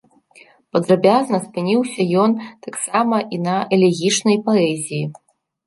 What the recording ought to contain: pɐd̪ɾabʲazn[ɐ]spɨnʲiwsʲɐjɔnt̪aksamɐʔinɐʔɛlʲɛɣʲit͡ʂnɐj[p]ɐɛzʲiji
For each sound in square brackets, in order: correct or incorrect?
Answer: correct, correct

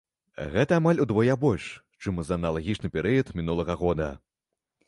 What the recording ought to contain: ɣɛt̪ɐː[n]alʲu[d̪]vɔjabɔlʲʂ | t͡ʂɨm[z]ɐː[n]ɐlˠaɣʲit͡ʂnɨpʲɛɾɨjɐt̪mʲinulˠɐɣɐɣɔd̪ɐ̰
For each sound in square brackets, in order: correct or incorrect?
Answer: incorrect, correct, correct, correct

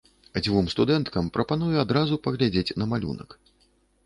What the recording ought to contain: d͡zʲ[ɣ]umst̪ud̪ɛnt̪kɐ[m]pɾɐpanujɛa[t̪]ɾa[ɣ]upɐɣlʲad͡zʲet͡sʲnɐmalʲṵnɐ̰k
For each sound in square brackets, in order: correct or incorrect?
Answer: incorrect, correct, incorrect, incorrect

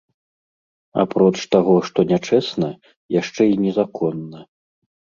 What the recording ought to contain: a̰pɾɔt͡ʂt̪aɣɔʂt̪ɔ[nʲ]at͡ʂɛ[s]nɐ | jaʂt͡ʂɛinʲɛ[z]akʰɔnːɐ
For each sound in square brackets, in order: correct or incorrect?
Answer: correct, correct, correct

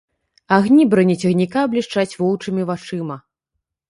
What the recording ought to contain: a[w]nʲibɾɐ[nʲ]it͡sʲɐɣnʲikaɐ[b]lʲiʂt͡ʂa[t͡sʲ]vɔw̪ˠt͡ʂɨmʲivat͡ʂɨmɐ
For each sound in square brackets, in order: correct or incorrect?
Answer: incorrect, correct, correct, correct

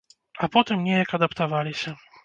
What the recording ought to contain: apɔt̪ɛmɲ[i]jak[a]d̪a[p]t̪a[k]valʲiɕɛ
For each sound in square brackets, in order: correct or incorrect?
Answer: incorrect, correct, correct, incorrect

